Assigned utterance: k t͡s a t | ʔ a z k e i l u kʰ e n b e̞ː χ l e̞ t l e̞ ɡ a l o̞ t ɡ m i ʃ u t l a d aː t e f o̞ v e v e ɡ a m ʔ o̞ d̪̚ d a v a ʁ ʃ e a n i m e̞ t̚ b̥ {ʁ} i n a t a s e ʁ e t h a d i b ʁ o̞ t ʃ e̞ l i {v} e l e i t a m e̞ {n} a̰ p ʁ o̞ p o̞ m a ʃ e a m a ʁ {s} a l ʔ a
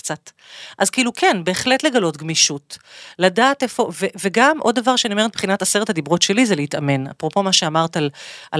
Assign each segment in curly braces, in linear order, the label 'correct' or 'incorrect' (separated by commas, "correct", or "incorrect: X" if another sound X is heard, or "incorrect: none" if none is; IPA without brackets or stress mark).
incorrect: χ, incorrect: z, correct, incorrect: t